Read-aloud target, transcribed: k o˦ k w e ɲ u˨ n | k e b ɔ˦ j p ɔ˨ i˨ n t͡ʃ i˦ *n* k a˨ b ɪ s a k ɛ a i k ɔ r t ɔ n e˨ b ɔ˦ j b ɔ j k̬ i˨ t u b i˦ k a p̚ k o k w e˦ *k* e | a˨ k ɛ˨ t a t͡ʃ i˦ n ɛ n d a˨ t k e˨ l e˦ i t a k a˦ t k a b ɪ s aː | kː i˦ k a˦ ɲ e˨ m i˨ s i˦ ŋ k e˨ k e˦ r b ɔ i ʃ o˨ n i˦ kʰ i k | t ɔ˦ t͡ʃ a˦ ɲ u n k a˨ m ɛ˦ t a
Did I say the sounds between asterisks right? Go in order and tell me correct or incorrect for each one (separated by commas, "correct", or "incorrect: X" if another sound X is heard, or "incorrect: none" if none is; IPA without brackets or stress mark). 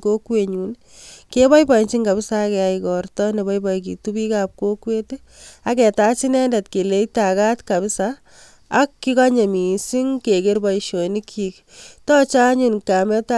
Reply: incorrect: ŋ, incorrect: t